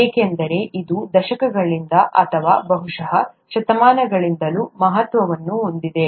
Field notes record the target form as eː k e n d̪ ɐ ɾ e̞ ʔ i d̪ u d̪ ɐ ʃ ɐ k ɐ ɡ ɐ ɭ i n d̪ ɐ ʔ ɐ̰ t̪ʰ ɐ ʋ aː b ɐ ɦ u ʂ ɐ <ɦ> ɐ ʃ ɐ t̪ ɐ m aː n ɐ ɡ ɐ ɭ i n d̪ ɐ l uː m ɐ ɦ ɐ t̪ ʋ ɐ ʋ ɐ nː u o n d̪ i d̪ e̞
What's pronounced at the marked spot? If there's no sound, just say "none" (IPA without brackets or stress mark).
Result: ɦ